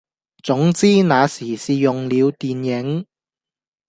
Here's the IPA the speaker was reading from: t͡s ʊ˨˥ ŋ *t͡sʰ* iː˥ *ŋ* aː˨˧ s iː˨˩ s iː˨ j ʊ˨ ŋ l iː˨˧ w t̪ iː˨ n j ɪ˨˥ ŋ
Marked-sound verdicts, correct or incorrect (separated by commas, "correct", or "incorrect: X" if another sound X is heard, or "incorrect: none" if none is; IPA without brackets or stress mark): incorrect: t͡s, incorrect: n